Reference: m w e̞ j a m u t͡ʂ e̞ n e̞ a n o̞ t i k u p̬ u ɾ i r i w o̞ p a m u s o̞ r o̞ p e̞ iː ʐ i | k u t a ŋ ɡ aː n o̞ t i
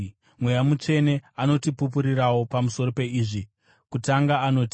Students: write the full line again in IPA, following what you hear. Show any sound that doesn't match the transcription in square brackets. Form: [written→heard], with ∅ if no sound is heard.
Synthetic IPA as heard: m w e̞ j a m u t͡ʂ e̞ n e̞ a n o̞ t i [k→p] u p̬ u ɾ i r [i→a] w o̞ p a m u s o̞ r o̞ p e̞ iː ʐ i | k u t a ŋ ɡ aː n o̞ t i